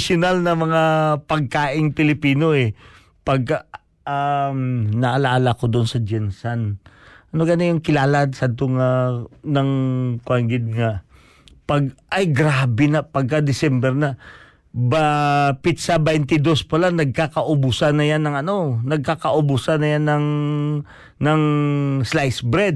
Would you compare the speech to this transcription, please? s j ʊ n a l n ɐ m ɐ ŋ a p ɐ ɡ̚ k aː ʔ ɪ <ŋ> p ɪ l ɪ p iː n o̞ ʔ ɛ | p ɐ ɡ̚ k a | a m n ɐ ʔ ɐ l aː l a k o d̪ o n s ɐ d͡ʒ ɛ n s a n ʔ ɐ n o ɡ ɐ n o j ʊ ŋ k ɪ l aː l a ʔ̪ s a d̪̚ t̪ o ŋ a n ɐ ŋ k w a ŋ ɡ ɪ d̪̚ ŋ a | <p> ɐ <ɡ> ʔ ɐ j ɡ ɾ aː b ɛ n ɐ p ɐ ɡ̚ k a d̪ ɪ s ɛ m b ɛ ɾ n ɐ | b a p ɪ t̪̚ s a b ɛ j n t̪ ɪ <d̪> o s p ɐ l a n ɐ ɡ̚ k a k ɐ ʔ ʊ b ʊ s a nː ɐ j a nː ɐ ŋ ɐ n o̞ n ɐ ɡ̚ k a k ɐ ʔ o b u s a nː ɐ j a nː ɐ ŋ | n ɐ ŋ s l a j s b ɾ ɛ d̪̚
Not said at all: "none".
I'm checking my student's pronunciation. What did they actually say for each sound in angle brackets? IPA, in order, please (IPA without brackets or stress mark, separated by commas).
ŋ, p, ɡ, d̪